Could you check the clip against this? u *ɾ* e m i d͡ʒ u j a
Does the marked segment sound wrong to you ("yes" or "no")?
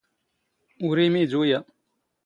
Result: no